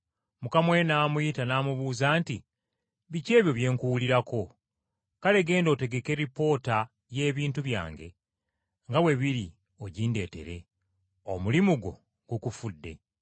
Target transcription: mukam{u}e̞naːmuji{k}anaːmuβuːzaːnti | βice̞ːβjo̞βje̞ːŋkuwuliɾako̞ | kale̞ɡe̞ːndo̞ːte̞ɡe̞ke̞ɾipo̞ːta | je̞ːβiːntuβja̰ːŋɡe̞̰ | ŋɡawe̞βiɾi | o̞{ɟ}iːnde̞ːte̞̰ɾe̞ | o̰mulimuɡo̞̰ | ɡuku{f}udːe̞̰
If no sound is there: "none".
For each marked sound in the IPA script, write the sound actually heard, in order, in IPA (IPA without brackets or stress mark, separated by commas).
w, t, ɟ, f